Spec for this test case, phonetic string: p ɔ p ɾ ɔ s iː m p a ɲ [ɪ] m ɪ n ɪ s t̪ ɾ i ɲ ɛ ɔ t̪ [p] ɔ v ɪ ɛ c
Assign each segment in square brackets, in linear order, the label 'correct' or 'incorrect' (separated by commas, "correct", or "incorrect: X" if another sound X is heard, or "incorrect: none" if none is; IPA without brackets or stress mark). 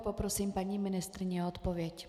incorrect: i, correct